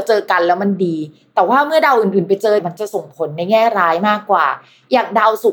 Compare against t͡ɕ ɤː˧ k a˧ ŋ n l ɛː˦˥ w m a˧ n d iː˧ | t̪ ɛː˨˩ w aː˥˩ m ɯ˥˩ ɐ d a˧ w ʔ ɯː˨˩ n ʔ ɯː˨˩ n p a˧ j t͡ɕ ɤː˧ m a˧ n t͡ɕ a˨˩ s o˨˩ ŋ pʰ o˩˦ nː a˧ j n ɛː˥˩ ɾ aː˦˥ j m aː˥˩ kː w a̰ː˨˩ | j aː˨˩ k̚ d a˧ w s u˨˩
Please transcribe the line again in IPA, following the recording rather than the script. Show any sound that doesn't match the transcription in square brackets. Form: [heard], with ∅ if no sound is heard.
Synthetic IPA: t͡ɕ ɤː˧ k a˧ [∅] n l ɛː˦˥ w m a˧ n d iː˧ | t̪ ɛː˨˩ w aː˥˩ m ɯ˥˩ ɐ d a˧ w ʔ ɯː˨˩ n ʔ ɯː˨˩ n p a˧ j t͡ɕ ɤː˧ m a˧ n t͡ɕ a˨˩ s o˨˩ ŋ pʰ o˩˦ nː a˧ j [ŋ] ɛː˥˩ ɾ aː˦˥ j m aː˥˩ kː w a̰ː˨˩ | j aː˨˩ k̚ d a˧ w s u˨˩